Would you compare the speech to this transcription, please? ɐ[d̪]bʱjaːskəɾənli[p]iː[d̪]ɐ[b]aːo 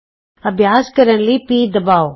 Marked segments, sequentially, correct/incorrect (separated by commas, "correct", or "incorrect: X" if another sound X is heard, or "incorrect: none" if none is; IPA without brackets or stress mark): incorrect: none, correct, correct, correct